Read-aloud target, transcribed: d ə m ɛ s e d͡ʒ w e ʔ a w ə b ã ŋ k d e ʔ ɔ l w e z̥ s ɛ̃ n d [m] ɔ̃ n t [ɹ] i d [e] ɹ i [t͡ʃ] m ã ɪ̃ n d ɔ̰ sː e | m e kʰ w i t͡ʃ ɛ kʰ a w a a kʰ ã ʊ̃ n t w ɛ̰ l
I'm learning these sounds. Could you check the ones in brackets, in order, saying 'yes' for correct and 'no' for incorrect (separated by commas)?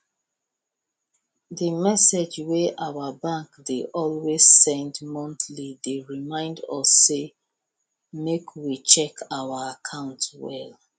yes, no, yes, no